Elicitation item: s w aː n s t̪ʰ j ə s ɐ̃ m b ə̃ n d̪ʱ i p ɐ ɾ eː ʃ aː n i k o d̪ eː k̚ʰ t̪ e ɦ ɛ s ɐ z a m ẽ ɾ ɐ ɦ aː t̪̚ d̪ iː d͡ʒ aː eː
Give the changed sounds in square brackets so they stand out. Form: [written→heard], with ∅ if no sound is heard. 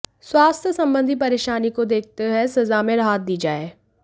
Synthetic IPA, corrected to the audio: s w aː [n→∅] s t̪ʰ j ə s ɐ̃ m b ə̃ n d̪ʱ i p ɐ ɾ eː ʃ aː n i k o d̪ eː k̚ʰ t̪ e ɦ ɛ s ɐ z a m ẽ ɾ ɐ ɦ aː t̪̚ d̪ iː d͡ʒ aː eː